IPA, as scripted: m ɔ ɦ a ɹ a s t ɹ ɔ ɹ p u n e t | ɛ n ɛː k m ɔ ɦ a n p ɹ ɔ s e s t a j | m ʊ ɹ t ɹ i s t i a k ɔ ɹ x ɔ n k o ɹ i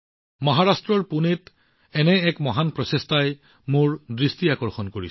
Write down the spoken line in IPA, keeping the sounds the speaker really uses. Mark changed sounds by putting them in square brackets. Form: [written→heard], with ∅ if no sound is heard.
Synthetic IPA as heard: m ɔ ɦ a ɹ a s t ɹ ɔ ɹ p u n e t | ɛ n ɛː k m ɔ ɦ a n p ɹ ɔ s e s t a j | m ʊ ɹ [t→d] ɹ i s t i a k ɔ ɹ x ɔ n k o ɹ i